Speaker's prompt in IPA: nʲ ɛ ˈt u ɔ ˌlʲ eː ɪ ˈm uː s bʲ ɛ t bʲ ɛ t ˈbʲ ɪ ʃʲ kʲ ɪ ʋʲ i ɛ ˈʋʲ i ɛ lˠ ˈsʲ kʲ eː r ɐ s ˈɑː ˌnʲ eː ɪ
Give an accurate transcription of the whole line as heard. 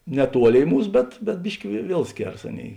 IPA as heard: nʲ ɛ ˈt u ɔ ˌlʲ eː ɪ ˈm uː s bʲ ɛ t bʲ ɛ t ˈbʲ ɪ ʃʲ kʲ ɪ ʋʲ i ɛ ˈʋʲ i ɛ lˠ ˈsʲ kʲ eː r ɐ s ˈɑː ˌnʲ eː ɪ